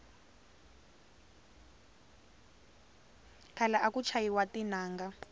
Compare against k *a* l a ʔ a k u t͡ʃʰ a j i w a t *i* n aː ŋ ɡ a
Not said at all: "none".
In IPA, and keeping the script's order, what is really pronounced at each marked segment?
a, i

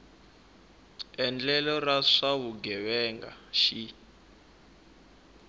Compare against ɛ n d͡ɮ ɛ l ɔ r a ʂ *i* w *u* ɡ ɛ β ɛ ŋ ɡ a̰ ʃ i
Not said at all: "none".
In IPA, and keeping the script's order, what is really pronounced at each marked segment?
a, u

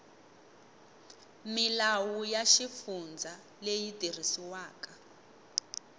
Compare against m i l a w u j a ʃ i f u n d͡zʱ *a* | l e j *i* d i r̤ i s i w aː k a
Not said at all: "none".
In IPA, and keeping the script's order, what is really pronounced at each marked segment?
a, i

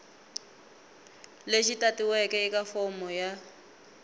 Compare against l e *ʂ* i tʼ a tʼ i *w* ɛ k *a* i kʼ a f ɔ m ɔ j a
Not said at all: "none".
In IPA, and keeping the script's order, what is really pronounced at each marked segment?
ʃ, w, ɛ

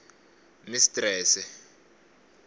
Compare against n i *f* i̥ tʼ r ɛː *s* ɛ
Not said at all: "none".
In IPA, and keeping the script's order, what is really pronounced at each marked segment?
s, s

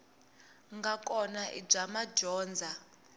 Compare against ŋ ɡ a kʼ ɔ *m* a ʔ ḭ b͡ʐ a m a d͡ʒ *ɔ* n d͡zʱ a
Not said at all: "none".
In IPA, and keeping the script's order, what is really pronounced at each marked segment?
n, ɔː

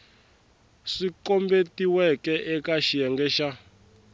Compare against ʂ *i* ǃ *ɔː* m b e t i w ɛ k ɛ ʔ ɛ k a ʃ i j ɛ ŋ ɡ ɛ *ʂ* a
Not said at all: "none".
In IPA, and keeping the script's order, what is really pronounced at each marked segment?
i, ɔ, ʃ

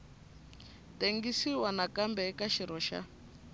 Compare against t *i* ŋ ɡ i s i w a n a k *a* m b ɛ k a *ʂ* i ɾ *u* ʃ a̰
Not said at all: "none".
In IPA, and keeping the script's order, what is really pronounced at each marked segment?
e, a, ʃ, ɔ

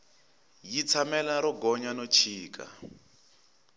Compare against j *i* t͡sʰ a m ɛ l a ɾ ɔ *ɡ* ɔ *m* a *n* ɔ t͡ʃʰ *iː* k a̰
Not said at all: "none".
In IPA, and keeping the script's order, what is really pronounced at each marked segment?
i, ɡ, ɲ, n, iː

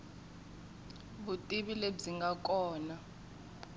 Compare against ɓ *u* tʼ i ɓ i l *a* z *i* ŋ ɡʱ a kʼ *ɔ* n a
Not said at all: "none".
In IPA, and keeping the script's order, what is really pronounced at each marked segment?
u, e, i, ɔː

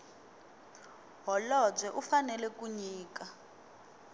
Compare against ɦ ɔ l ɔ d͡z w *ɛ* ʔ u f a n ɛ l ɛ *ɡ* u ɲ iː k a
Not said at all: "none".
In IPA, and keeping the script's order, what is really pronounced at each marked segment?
ɛ, k

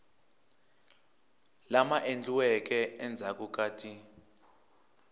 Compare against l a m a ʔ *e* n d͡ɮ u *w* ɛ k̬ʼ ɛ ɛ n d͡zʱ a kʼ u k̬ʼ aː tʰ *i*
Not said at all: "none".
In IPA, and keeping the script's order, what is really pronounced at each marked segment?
e, w, i

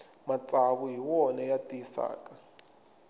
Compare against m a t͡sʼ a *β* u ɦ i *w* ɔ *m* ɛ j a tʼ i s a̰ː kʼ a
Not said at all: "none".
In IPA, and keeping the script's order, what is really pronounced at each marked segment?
β, w, n

